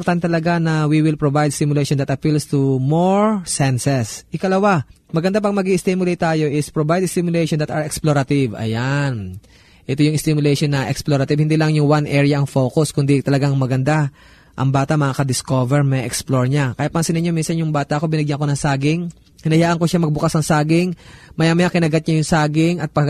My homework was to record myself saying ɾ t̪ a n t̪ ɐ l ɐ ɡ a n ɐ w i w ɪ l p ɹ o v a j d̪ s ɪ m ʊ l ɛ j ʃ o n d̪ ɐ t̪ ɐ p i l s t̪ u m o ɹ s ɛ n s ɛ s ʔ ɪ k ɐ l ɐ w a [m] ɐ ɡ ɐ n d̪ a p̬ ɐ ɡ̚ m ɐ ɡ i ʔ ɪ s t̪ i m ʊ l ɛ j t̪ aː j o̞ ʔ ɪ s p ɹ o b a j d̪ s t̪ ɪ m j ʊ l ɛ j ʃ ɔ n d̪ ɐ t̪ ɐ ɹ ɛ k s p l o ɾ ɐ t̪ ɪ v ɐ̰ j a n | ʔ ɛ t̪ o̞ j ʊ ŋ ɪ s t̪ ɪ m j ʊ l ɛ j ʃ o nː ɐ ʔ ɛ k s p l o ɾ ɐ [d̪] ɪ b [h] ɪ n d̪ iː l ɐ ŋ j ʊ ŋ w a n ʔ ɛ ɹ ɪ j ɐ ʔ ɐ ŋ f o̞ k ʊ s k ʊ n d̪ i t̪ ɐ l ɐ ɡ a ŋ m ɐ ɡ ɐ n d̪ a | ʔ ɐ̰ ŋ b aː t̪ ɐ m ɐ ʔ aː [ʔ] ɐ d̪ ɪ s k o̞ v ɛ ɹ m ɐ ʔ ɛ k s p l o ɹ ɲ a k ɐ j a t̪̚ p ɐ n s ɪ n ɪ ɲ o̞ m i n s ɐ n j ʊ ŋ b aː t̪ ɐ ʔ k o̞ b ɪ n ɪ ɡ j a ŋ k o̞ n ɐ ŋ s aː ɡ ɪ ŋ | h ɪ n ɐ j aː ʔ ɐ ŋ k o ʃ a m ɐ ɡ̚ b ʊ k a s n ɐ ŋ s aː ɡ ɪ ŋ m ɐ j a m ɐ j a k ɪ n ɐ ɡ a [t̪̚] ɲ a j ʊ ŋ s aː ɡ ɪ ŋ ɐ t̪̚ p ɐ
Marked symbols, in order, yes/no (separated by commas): yes, no, yes, no, yes